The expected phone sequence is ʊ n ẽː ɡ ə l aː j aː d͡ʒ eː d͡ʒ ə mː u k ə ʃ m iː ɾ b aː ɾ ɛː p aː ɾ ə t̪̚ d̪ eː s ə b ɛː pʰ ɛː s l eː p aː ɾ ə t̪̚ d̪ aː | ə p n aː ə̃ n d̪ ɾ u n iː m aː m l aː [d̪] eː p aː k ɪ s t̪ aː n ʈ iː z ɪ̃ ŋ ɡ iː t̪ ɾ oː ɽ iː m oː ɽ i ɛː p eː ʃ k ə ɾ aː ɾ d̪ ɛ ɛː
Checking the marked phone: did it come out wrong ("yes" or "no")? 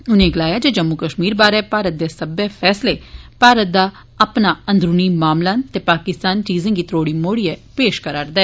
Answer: yes